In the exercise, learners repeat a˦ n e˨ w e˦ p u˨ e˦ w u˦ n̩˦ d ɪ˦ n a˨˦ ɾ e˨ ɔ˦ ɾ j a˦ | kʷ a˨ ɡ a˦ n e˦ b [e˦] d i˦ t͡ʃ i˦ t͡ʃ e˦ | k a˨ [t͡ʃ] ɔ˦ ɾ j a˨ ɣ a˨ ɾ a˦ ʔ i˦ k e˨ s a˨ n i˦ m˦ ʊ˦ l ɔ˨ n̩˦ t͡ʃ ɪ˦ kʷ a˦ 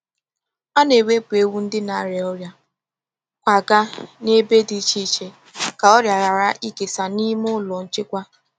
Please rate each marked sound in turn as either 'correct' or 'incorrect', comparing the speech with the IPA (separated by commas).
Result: correct, incorrect